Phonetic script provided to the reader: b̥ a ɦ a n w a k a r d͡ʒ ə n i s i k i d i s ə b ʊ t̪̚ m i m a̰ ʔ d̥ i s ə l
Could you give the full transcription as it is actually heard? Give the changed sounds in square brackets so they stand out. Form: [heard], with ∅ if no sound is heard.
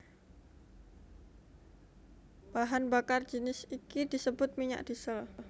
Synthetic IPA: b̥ a ɦ a n [b] a k a r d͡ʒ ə n [ɪ] s i k i d i s ə b ʊ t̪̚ m i [ɲ] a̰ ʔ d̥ i s ə l

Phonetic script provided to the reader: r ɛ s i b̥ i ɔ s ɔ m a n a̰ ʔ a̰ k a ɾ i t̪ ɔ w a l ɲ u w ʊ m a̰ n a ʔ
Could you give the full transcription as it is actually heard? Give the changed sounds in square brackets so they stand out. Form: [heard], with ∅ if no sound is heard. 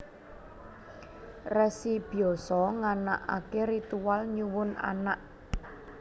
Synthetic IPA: r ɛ s i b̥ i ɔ s ɔ [ŋ] a n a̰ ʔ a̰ k [e] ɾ i t̪ [u] w a l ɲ u w ʊ [n] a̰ n a ʔ

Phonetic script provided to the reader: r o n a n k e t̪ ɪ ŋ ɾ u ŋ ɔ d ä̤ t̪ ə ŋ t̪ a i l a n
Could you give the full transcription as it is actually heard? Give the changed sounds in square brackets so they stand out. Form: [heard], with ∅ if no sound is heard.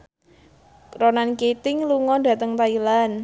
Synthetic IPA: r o n a n k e t̪ ɪ ŋ [l] u ŋ ɔ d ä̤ t̪ ə ŋ t̪ a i l a n

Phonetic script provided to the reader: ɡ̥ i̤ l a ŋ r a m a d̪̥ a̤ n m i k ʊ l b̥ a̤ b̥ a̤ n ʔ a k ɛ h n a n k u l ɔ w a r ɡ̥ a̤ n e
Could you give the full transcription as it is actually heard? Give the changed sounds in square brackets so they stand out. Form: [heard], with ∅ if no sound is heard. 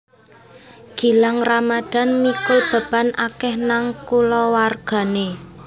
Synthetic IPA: ɡ̥ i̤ l a ŋ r a m a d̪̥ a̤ n m i k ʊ l b̥ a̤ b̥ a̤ n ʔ a k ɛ h n a [ŋ] k u l ɔ w a r ɡ̥ a̤ n e

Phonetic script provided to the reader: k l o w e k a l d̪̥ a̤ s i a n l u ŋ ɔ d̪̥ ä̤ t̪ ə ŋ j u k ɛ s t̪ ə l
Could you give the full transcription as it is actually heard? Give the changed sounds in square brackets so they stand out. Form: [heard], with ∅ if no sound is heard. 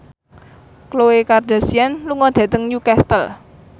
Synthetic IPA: k l o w e k a [r] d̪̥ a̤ s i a n l u ŋ ɔ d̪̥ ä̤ t̪ ə ŋ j u k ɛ s t̪ ə l

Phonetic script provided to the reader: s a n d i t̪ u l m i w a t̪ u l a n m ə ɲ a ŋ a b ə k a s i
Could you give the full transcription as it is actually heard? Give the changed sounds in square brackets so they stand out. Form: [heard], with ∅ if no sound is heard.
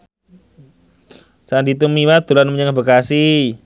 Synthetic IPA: s a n d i t̪ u [∅] m i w a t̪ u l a n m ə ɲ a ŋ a b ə k a s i

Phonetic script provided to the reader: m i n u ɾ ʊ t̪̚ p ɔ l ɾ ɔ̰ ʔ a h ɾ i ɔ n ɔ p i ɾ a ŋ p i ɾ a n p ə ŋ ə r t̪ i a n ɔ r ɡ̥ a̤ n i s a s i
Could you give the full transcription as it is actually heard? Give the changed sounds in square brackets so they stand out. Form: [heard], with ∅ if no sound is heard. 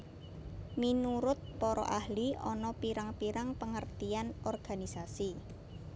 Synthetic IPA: m i n u ɾ ʊ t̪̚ p ɔ [∅] ɾ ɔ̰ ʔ a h [l] i ɔ n ɔ p i ɾ a ŋ p i ɾ a [ŋ] p ə ŋ ə r t̪ i a n ɔ r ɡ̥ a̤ n i s a s i

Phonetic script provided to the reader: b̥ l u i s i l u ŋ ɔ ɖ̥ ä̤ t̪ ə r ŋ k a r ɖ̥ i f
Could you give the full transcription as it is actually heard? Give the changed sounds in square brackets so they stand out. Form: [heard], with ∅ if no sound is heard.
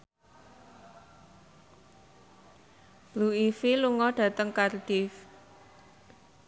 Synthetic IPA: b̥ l u i [f] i l u ŋ ɔ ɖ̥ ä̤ t̪ ə [∅] ŋ k a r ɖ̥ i f

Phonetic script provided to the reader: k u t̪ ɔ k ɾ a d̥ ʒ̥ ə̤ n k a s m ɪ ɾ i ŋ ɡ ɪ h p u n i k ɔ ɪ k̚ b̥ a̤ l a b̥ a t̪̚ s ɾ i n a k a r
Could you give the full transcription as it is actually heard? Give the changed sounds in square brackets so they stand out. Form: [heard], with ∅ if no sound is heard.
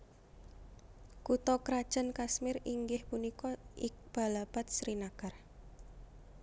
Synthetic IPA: k u t̪ ɔ k ɾ a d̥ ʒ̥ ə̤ n k a s m ɪ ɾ i ŋ ɡ ɪ h p u n i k ɔ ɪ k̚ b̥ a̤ l a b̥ a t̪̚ s ɾ i n a k a r

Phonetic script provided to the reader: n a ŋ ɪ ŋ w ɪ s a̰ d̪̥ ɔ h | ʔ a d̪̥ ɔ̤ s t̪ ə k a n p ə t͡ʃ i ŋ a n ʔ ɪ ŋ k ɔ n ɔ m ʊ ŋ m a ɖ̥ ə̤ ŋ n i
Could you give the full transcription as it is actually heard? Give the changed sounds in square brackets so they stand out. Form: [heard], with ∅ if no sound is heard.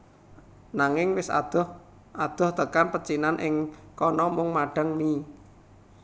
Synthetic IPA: n a ŋ ɪ ŋ w ɪ s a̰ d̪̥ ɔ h | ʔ a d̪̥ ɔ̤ [h] t̪ ə k a n p ə t͡ʃ i [n] a n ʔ ɪ ŋ k ɔ n ɔ m ʊ ŋ m a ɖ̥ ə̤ ŋ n i

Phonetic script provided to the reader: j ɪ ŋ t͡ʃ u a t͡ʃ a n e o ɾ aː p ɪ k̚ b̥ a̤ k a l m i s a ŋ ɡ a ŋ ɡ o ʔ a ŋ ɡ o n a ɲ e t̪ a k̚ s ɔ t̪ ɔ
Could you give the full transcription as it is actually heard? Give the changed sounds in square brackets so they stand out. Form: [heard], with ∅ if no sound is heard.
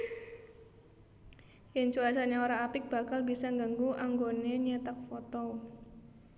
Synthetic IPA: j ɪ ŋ t͡ʃ u a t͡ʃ a n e o ɾ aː p ɪ k̚ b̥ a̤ k a l [b] i s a ŋ ɡ a ŋ ɡ [u] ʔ a ŋ ɡ o n [e] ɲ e t̪ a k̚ [f] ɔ t̪ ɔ

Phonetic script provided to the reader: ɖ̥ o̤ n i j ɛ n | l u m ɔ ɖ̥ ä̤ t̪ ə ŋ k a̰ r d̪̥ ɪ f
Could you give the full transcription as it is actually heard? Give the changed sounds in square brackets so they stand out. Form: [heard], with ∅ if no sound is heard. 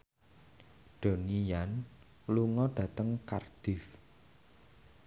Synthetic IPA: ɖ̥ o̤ n i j [a] n | l u [ŋ] ɔ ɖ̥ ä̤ t̪ ə ŋ k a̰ r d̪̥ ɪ f

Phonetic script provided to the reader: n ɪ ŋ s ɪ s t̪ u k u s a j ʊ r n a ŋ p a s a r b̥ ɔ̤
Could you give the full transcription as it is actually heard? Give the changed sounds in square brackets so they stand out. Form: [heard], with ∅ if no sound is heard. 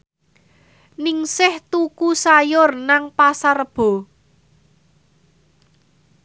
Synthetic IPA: n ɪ ŋ s ɪ [h] t̪ u k u s a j ʊ r n a ŋ p a s a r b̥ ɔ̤

